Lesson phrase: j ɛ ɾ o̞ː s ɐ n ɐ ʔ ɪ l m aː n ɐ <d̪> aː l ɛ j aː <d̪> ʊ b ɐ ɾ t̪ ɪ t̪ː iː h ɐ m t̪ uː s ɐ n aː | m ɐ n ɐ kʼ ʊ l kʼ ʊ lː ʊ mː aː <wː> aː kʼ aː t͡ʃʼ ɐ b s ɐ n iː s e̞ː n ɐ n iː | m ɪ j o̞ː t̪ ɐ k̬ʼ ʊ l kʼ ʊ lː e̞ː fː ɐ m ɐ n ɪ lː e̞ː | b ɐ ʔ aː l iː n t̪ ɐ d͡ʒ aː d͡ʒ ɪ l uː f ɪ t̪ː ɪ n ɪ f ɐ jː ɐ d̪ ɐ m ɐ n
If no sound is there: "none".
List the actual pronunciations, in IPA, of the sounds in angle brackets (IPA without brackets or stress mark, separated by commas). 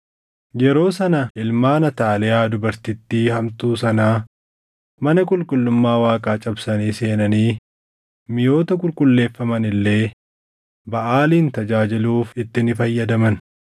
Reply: t̪, d̪, w